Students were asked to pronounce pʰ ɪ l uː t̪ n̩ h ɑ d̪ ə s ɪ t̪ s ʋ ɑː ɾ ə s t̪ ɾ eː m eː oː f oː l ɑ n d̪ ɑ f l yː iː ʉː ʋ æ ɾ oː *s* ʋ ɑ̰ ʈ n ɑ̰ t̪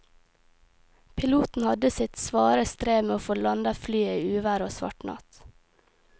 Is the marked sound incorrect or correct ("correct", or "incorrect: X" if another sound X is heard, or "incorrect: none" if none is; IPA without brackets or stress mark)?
correct